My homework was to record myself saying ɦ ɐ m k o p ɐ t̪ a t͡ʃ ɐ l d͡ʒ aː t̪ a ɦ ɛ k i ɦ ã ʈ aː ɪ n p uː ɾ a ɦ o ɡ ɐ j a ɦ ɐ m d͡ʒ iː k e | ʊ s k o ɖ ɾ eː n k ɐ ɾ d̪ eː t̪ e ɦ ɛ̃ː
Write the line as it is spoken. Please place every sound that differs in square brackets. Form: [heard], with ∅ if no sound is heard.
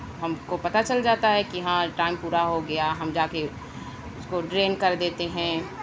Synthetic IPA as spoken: ɦ ɐ m k o p ɐ t̪ a t͡ʃ ɐ l d͡ʒ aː t̪ a ɦ ɛ k i ɦ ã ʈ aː ɪ [m] p uː ɾ a ɦ o ɡ ɐ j a ɦ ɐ m d͡ʒ [aː] k e | ʊ s k o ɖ ɾ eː n k ɐ ɾ d̪ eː t̪ e ɦ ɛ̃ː